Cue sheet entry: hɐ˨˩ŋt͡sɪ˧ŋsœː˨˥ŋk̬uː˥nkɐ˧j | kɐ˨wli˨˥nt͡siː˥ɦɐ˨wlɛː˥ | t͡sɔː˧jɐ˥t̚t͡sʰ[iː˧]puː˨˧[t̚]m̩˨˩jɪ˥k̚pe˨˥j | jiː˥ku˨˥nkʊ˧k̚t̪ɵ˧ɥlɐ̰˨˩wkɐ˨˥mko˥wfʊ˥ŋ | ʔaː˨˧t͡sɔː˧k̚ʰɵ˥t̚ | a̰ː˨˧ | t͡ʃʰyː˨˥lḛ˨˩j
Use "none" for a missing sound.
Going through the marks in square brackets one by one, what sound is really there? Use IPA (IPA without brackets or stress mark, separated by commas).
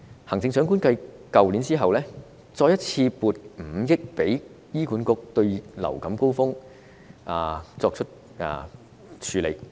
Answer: iː˧, t̚